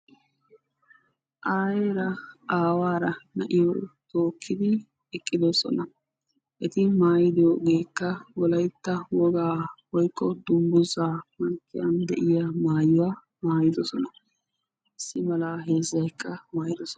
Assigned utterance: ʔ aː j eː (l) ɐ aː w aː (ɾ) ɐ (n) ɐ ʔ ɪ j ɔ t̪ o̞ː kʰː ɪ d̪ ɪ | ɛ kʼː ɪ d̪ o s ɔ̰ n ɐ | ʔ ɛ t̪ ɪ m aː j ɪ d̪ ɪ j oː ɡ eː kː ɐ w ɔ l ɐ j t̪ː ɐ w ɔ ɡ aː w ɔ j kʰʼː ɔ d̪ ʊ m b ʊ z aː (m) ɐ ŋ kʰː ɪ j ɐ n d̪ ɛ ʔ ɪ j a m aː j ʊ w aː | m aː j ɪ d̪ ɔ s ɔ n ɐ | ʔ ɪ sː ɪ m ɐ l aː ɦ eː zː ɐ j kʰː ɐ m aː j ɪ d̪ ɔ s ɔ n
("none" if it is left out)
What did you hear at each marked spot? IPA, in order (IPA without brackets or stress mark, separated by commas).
ɾ, ɾ, n, m